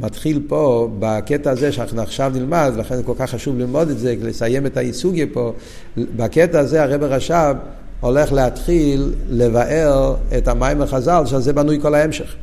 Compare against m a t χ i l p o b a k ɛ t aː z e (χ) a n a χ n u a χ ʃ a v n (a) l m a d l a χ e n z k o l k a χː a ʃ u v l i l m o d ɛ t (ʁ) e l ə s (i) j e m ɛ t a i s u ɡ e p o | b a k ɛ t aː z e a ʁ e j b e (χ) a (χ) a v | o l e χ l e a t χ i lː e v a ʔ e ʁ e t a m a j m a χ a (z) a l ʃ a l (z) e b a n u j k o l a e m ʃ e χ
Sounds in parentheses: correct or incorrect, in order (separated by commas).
incorrect, incorrect, incorrect, incorrect, incorrect, incorrect, correct, correct